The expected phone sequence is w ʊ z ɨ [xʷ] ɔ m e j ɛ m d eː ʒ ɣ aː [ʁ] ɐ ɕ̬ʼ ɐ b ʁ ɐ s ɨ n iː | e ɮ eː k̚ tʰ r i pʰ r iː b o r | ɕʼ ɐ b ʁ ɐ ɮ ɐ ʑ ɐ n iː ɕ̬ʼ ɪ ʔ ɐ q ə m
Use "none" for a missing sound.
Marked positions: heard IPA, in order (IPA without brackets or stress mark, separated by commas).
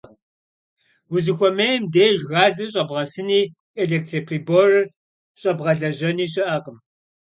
xʷ, z